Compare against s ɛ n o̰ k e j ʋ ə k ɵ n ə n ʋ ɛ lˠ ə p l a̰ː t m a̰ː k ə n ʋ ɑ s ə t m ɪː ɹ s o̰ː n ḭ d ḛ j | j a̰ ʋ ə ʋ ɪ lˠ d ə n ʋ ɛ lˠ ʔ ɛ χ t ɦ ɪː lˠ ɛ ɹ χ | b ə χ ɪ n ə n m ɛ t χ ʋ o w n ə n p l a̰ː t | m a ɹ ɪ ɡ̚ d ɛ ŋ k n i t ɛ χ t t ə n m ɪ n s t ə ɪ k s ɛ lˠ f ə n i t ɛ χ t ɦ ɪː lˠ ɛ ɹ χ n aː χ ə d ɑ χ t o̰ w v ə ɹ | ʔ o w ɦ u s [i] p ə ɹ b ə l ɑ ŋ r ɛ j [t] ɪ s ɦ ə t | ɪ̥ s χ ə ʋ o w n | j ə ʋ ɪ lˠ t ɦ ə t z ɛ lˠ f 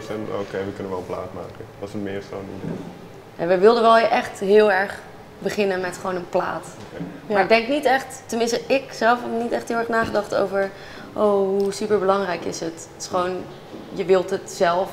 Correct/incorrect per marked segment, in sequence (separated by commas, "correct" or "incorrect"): incorrect, incorrect